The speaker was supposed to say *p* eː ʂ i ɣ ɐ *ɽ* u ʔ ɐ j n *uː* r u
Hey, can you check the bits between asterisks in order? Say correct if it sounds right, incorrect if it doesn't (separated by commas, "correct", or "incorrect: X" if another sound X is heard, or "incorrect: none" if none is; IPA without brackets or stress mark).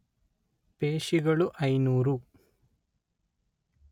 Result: correct, incorrect: ɭ, correct